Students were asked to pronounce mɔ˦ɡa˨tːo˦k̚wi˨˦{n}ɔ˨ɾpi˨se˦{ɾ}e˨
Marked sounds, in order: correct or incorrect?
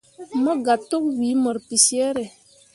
incorrect: m, correct

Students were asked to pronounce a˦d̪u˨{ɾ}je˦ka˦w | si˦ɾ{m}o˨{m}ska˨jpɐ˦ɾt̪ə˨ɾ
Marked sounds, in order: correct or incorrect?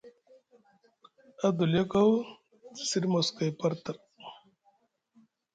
incorrect: l, correct, incorrect: none

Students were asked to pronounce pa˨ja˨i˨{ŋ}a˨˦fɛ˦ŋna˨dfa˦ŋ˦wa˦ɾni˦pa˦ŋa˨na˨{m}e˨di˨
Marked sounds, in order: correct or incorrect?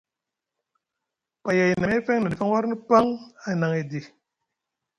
incorrect: n, incorrect: ŋ

